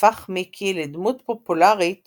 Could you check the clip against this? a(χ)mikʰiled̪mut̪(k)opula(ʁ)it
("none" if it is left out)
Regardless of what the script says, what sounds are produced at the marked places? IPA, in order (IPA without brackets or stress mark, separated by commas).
χ, p, ʁ